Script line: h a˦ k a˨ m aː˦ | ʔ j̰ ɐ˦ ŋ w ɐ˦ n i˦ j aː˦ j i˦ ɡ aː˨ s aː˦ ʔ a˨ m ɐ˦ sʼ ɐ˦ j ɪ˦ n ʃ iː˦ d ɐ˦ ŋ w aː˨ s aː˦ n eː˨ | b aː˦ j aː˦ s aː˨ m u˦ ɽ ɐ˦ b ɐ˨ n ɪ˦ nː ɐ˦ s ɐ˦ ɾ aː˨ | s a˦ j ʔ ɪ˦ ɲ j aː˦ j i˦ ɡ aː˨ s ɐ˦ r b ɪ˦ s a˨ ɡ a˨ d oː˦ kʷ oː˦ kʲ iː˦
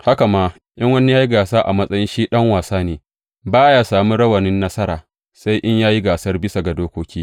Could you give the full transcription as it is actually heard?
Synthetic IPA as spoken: h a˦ k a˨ m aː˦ | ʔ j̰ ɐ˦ ŋ w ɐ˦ n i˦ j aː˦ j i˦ ɡ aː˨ s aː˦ ʔ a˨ m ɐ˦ sʼ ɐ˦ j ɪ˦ n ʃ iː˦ ɗ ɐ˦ ŋ w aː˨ s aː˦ n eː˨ | b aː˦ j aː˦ s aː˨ m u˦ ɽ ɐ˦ w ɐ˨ n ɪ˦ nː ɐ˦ s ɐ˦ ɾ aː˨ | s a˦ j ʔ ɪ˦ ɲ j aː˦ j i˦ ɡ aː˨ s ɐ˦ r b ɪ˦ s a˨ ɡ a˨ d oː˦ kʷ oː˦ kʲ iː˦

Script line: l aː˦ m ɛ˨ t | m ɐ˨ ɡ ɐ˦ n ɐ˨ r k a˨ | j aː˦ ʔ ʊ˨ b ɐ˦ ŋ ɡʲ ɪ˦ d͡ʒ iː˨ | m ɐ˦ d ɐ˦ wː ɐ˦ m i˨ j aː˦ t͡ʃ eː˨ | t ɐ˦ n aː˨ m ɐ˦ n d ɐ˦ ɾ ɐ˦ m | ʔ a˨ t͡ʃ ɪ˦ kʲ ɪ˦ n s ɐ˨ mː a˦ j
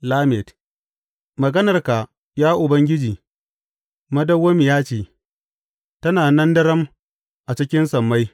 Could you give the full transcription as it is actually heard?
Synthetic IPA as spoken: l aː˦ m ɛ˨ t | m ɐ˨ ɡ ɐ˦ n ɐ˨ r k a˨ | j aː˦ ʔ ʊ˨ b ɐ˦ ŋ ɡʲ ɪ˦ d͡ʒ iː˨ | m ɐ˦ d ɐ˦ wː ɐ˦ m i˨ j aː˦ t͡ʃ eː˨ | t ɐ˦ n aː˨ n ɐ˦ n d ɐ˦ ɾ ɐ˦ m | ʔ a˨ t͡ʃ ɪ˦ kʲ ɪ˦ n s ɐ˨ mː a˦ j

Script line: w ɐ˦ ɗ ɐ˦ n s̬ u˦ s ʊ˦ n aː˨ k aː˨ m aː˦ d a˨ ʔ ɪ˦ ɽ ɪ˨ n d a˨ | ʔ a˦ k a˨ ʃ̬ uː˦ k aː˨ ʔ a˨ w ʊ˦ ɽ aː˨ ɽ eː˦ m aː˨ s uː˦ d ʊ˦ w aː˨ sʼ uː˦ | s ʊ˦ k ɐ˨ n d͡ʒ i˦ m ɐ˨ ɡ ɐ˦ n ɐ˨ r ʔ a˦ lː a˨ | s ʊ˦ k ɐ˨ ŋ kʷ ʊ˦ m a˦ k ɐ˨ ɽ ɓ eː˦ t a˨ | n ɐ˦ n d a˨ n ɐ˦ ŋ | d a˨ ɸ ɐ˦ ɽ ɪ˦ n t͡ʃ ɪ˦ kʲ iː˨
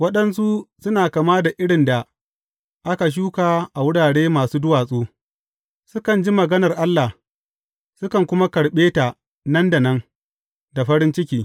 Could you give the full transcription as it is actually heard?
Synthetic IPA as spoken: w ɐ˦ ɗ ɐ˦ n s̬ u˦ s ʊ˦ n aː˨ k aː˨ m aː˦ d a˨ ʔ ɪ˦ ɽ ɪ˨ n d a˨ | ʔ a˦ k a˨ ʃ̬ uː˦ k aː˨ ʔ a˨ w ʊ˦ ɽ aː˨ ɽ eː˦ m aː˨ s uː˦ d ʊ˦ w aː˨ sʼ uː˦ | s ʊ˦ k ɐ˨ n d͡ʒ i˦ m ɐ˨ ɡ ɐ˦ n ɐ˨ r ʔ a˦ lː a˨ | s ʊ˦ k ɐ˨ ŋ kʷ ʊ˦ m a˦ k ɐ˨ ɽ ɓ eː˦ t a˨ | n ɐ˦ n d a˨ n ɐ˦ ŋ | d a˨ ɸ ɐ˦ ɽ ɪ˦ n t͡ʃ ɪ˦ kʲ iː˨

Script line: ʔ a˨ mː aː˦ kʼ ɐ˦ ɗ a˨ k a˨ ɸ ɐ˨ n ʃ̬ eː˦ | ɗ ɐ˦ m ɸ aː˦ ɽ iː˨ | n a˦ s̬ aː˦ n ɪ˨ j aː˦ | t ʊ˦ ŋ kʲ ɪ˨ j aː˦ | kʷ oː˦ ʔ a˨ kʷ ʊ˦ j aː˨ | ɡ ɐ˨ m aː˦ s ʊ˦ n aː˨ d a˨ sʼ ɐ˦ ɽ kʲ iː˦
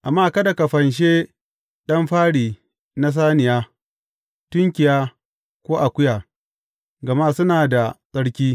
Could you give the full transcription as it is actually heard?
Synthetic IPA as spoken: ʔ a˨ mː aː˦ k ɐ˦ d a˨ k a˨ ɸ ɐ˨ n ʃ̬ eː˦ | ɗ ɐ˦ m ɸ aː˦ ɽ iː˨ | n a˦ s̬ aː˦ n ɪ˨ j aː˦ | t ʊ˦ ŋ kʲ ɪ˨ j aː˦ | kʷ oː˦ ʔ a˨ kʷ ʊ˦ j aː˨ | ɡ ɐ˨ m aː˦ s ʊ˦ n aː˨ d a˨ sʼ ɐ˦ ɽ kʲ iː˦

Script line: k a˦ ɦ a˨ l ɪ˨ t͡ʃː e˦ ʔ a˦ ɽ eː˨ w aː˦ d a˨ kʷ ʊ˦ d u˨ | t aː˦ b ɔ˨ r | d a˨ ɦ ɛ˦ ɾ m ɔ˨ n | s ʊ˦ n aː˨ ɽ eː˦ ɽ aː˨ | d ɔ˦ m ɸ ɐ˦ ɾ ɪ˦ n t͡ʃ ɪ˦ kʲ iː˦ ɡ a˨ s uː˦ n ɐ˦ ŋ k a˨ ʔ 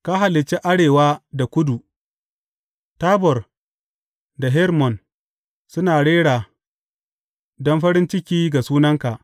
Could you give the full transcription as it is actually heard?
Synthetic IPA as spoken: k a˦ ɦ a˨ l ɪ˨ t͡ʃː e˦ ʔ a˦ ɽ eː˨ w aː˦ d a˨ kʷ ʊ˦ d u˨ | t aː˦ b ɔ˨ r | d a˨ ɦ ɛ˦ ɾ m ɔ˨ n | s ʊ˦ n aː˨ ɽ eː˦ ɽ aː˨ | d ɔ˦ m ɸ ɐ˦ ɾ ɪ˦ n t͡ʃ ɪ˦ kʲ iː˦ ɡ a˨ s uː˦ n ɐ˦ ŋ k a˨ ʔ

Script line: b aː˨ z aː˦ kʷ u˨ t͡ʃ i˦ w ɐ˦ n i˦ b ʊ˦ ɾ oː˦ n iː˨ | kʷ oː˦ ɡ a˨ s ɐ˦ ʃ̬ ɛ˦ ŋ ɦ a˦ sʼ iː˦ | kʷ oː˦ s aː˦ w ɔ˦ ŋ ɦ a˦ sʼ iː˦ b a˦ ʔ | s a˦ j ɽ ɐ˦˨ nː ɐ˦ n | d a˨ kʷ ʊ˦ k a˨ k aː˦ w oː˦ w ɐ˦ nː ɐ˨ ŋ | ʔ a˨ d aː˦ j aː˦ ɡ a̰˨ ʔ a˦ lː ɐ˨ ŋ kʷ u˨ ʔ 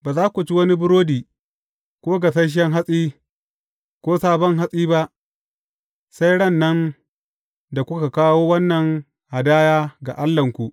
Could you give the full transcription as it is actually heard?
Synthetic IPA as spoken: b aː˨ z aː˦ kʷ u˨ t͡ʃ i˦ w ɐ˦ n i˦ b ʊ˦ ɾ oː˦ d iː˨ | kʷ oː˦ ɡ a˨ s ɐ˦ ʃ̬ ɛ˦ ŋ ɦ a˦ sʼ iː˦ | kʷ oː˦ s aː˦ b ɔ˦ ŋ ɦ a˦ sʼ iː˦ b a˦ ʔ | s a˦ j ɽ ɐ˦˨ nː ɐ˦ n | d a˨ kʷ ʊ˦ k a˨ k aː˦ w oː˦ w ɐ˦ nː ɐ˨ ŋ | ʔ a˨ d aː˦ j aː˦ ɡ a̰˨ ʔ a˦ lː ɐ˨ ŋ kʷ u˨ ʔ

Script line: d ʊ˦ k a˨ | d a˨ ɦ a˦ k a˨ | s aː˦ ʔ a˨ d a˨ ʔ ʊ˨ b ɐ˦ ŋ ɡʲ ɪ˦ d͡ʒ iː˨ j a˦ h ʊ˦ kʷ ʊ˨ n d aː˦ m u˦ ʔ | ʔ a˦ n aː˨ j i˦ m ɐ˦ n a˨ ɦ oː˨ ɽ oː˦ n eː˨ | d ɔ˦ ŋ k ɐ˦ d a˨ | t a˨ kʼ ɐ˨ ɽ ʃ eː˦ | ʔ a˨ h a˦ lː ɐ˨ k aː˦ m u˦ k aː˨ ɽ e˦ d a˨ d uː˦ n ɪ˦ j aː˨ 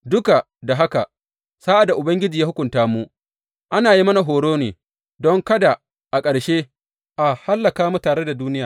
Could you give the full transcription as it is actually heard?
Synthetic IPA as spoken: d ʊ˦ k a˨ | d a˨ ɦ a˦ k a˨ | s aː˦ ʔ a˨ d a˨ ʔ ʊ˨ b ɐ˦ ŋ ɡʲ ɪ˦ d͡ʒ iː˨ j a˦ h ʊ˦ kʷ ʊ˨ n t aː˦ m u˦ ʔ | ʔ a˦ n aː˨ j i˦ m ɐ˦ n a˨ ɦ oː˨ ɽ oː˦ n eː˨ | d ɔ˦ ŋ k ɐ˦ d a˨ | ʔ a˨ kʼ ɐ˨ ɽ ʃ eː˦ | ʔ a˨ h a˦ lː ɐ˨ k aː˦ m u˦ t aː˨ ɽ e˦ d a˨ d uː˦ n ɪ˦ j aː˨

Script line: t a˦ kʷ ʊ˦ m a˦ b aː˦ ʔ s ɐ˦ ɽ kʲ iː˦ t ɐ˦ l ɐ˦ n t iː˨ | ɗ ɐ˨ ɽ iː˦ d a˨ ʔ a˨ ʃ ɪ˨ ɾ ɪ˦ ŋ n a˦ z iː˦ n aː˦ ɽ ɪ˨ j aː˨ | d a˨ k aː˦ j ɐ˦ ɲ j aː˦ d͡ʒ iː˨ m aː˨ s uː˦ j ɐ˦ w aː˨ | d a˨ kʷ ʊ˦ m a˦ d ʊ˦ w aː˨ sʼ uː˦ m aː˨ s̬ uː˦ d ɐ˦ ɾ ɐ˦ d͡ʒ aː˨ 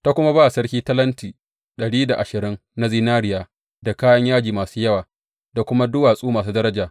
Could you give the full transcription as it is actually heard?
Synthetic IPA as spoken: t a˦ kʷ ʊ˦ m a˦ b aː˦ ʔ s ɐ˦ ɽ kʲ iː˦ t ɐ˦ l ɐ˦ n t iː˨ | ɗ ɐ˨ ɽ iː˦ d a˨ ʔ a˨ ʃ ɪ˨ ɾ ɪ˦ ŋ n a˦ z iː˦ n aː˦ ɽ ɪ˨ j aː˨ | d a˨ k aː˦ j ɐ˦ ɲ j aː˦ d͡ʒ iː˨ m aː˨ s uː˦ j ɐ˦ w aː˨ | d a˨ kʷ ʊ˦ m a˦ d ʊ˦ w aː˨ sʼ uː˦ m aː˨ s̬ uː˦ d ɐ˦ ɾ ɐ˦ d͡ʒ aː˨

